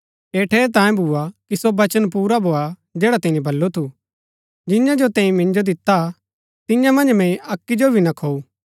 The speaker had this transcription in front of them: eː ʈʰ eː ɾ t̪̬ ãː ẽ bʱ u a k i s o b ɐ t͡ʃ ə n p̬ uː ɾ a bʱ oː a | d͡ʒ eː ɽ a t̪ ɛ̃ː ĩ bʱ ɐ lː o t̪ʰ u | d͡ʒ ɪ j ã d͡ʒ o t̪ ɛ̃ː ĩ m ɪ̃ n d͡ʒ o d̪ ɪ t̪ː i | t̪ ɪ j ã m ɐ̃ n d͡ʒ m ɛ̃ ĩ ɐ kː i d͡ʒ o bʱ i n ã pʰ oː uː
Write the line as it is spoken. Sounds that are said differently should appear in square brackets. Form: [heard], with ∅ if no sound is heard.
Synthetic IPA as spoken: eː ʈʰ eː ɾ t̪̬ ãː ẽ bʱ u a k i s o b ɐ t͡ʃ ə n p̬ uː ɾ a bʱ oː a | d͡ʒ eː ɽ a t̪ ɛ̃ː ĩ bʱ ɐ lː o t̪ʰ u | d͡ʒ ɪ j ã d͡ʒ o t̪ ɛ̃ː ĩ m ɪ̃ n d͡ʒ o d̪ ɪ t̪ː [a] | t̪ ɪ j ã m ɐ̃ n d͡ʒ m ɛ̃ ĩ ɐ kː i d͡ʒ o bʱ i n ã [kʰ] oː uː

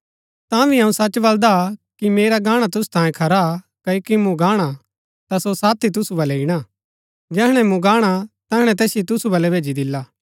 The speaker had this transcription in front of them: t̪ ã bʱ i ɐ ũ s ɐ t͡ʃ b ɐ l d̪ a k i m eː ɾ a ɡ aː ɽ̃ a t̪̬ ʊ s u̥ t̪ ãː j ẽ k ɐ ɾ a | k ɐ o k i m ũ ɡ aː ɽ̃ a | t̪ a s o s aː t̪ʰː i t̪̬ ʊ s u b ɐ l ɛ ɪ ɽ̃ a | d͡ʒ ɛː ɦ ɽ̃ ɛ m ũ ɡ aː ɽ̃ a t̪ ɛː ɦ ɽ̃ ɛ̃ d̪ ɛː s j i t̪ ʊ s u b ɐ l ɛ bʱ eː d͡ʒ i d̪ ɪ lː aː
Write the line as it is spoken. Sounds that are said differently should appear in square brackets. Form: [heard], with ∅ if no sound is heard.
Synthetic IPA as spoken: t̪ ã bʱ i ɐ ũ s ɐ t͡ʃ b ɐ l d̪ a k i m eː ɾ a ɡ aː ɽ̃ a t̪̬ ʊ s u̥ t̪ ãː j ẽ [kʰ] ɐ ɾ a | k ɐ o k i m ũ ɡ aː ɽ̃ a | t̪ a s o s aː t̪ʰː i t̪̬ ʊ s u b ɐ l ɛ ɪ ɽ̃ a | d͡ʒ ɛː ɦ ɽ̃ ɛ m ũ ɡ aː ɽ̃ a t̪ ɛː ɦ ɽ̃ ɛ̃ [t̪] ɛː s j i t̪ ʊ s u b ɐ l ɛ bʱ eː d͡ʒ i d̪ ɪ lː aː

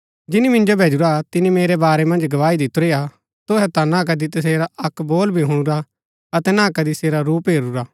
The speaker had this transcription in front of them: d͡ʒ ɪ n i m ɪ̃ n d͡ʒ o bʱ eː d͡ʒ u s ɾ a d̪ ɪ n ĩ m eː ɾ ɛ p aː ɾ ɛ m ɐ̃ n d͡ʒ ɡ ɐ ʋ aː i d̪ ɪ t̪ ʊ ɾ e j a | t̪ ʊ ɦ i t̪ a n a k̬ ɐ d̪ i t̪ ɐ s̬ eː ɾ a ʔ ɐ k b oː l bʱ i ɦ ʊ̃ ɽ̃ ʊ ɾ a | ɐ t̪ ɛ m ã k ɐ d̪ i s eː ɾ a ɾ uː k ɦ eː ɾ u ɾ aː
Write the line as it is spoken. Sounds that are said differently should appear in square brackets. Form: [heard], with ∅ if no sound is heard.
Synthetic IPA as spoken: d͡ʒ ɪ n i m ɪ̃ n d͡ʒ o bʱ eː d͡ʒ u [∅] ɾ a [t̪] ɪ n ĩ m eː ɾ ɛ [b] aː ɾ ɛ m ɐ̃ n d͡ʒ ɡ ɐ ʋ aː i d̪ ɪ t̪ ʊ ɾ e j a | t̪ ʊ ɦ [ɛ] t̪ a n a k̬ ɐ d̪ i t̪ ɐ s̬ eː ɾ a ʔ ɐ k b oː l bʱ i ɦ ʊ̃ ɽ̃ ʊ ɾ a | ɐ t̪ ɛ [n] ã k ɐ d̪ i s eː ɾ a ɾ uː [p] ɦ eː ɾ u ɾ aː

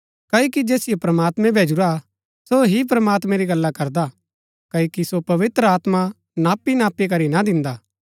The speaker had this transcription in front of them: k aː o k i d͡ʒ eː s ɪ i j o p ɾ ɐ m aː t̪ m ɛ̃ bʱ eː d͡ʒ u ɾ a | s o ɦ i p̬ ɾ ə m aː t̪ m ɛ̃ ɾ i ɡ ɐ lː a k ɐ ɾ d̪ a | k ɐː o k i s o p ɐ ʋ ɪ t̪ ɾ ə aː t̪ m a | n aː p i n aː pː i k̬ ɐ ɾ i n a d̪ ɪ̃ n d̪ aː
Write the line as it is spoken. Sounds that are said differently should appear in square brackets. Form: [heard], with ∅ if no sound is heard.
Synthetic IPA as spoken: k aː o k i d͡ʒ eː s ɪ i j o p ɾ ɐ m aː t̪ m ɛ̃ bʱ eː d͡ʒ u ɾ a | s o ɦ i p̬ ɾ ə m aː t̪ m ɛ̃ ɾ i ɡ ɐ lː a k ɐ ɾ d̪ a | k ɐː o k i s o p ɐ ʋ ɪ t̪ ɾ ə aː t̪ m a | n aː p i n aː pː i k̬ ɐ ɾ i n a d̪ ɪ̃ n d̪ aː

